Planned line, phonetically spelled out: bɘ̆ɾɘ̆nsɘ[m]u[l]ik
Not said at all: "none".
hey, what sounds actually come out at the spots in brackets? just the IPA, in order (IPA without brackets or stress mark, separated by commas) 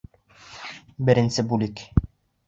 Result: b, l